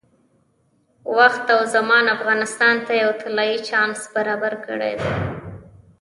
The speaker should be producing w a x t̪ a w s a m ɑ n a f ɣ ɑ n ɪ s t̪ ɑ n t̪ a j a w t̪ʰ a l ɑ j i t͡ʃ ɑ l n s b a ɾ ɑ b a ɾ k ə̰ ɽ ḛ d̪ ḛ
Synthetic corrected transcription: w a x t̪ a w z a m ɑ n a f ɣ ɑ n ɪ s t̪ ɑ n t̪ a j a w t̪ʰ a l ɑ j i t͡ʃ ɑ n s b a ɾ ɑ b a ɾ k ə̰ ɽ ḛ d̪ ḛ